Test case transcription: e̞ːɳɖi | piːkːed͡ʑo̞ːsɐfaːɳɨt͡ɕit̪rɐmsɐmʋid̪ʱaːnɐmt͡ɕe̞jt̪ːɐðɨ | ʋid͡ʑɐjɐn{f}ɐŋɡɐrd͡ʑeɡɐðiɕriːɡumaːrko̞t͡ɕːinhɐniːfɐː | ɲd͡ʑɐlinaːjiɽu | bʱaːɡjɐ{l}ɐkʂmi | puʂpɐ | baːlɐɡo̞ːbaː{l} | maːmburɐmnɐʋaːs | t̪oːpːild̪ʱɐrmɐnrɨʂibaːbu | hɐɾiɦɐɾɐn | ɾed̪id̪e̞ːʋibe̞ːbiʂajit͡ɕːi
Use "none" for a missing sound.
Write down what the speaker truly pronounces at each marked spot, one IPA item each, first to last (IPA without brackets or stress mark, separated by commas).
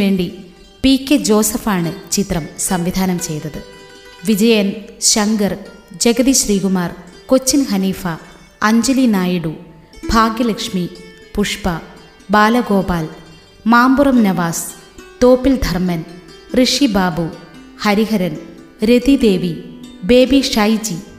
ɕ, l, l